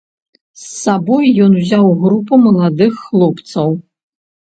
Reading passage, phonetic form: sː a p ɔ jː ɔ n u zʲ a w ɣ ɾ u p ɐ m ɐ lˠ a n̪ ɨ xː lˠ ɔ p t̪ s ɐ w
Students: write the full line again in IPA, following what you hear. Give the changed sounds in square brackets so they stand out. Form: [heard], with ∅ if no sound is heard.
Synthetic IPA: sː a [b] ɔ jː ɔ n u zʲ a w ɣ ɾ u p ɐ m ɐ lˠ a [d̪] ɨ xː lˠ ɔ p t̪ s ɐ w